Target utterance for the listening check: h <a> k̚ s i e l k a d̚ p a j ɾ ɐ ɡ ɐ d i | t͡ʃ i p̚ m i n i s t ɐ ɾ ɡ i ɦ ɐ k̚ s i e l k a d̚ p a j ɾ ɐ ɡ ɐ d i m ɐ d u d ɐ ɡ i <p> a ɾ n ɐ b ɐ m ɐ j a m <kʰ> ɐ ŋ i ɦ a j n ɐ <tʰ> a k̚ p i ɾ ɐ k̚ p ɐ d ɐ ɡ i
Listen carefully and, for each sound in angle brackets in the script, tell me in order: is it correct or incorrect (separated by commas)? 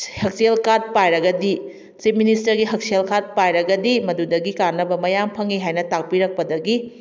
incorrect, incorrect, incorrect, incorrect